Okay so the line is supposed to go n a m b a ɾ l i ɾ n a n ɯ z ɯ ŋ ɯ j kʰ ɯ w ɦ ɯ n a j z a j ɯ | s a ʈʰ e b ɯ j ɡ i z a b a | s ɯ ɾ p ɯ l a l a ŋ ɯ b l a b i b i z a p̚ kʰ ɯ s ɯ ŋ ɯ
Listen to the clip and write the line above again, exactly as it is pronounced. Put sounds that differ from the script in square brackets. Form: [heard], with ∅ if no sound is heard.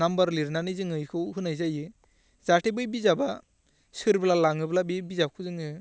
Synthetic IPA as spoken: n a m b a ɾ l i ɾ n a n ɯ z ɯ ŋ ɯ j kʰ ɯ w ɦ ɯ n a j z a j ɯ | [z] a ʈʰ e b ɯ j [b] i z a b a | s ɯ ɾ [b] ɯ l a l a ŋ ɯ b l a b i b i z a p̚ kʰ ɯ [z] ɯ ŋ ɯ